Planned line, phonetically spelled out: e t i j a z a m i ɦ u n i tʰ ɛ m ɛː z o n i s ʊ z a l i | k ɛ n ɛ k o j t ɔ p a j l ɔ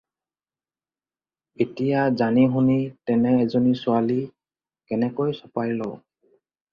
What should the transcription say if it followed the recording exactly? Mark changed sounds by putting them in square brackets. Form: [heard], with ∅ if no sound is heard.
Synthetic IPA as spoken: e t i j a z a [n] i ɦ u n i [t] ɛ [n] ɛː z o n i s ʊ [∅] a l i | k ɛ n ɛ k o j [s] ɔ p a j l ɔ